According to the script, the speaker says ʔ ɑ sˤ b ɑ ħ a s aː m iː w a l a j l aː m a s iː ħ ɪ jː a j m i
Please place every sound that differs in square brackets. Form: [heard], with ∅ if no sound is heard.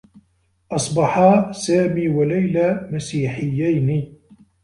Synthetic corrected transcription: ʔ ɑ sˤ b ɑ ħ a s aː m iː w a l a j l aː m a s iː ħ ɪ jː a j [n] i